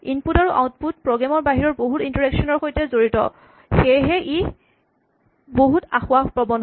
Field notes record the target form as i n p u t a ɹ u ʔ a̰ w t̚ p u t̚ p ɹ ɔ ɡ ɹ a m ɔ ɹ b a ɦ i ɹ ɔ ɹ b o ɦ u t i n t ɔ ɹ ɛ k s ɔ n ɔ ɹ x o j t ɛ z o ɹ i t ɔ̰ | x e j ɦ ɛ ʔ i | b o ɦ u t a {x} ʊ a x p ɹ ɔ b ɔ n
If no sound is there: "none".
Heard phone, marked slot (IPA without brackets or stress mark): x